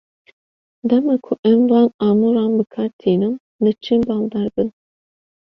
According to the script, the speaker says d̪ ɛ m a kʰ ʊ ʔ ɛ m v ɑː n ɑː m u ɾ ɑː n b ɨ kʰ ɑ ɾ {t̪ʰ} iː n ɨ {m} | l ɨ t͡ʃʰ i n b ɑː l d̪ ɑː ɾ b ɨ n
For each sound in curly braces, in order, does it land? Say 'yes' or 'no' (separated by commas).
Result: yes, yes